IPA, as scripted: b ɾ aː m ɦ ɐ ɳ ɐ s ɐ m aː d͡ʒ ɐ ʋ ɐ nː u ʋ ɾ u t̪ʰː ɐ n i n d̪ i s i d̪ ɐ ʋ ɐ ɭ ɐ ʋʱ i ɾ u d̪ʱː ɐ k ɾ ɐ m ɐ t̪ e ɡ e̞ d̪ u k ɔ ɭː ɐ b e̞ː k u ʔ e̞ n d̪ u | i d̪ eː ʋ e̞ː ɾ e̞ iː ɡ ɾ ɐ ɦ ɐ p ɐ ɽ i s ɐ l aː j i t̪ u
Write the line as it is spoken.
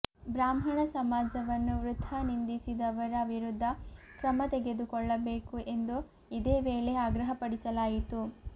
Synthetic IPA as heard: b ɾ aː m ɦ ɐ ɳ ɐ s ɐ m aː d͡ʒ ɐ ʋ ɐ nː u ʋ ɾ u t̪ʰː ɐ n i n d̪ i s i d̪ ɐ ʋ ɐ ɾ ɐ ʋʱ i ɾ u d̪ʱː ɐ k ɾ ɐ m ɐ t̪ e ɡ e̞ d̪ u k ɔ ɭː ɐ b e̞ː k u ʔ e̞ n d̪ u | i d̪ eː ʋ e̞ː ɭ e̞ aː ɡ ɾ ɐ ɦ ɐ p ɐ ɽ i s ɐ l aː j i t̪ u